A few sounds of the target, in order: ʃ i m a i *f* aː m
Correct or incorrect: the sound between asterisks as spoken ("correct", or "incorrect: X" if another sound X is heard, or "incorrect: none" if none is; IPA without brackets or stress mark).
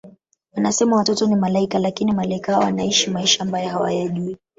incorrect: ʃ